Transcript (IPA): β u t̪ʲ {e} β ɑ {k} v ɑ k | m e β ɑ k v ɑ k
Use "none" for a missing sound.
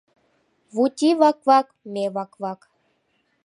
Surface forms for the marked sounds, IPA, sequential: i, k

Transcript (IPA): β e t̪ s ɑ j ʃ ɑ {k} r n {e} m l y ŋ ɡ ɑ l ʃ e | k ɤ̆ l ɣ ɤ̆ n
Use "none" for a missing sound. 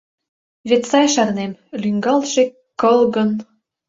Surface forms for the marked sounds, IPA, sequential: none, e

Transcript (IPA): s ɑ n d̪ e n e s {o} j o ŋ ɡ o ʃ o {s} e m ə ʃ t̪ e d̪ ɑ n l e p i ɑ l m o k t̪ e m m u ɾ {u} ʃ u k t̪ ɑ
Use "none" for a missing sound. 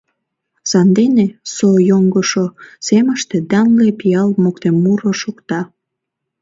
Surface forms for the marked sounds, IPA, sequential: o, s, o

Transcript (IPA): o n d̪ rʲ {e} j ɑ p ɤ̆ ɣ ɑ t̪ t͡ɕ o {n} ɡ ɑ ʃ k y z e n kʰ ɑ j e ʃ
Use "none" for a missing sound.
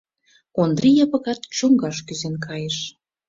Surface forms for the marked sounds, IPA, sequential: i, ŋ

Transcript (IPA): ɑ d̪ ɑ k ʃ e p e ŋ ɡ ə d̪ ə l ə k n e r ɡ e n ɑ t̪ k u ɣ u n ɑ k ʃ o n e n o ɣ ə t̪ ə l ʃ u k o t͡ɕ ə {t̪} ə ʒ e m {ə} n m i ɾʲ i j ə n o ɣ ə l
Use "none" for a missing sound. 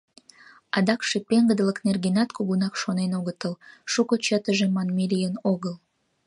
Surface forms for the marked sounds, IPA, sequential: t̪, ɑ

